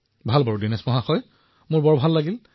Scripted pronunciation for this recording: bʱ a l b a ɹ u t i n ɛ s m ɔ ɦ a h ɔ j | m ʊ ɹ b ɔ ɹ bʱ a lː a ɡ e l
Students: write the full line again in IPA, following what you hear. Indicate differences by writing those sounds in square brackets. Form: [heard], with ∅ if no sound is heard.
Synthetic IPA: bʱ a l b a ɹ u [d] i n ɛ s m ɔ ɦ a [x] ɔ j | m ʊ ɹ b ɔ ɹ bʱ a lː a ɡ [i] l